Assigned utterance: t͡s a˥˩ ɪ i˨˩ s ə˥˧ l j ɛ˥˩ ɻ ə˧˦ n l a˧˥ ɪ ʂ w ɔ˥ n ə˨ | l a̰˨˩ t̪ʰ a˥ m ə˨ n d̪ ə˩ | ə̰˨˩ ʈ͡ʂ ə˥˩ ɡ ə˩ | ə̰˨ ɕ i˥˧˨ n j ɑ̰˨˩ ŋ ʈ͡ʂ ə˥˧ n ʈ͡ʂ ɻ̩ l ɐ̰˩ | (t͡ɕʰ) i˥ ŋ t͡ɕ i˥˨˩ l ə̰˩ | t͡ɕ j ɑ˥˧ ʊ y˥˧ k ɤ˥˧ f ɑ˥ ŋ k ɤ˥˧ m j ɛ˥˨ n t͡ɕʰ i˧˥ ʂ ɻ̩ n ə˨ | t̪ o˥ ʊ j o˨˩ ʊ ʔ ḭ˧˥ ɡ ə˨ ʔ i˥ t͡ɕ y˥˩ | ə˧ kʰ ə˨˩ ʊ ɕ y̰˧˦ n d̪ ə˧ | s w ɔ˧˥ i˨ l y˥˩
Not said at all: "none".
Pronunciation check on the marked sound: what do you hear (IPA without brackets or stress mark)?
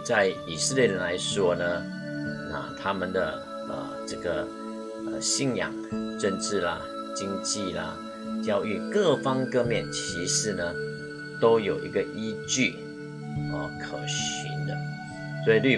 t͡ɕ